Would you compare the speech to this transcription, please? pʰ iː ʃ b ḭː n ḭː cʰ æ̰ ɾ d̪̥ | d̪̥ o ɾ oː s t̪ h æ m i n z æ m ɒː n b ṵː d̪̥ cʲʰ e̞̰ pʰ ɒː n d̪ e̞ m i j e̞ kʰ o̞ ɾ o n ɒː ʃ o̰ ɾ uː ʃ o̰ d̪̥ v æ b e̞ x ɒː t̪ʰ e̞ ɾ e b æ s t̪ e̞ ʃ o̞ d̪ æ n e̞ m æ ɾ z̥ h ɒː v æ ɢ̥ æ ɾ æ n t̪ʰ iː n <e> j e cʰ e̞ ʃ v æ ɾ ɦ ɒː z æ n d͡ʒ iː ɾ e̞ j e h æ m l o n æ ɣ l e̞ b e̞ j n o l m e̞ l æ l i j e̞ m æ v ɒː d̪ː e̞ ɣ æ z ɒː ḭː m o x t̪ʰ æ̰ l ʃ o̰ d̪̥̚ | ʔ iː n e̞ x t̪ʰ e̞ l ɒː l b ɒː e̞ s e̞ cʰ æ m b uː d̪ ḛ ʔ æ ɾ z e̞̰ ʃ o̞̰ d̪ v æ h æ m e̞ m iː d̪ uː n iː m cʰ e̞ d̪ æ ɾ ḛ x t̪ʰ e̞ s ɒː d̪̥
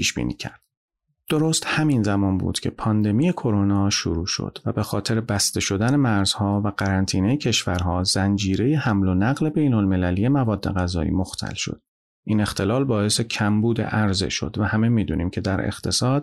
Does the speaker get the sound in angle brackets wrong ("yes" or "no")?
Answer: no